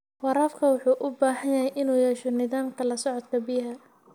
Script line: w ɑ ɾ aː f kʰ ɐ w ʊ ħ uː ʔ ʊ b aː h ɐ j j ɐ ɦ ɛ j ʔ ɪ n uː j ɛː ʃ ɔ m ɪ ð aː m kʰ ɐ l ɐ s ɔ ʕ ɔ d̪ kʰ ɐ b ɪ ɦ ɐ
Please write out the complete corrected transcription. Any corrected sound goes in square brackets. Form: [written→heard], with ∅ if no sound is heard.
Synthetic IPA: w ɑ ɾ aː f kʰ ɐ w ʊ ħ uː ʔ ʊ b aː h ɐ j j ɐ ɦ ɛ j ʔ ɪ n uː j ɛː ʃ ɔ [m→n] ɪ ð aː m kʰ ɐ l ɐ s ɔ ʕ ɔ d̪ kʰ ɐ b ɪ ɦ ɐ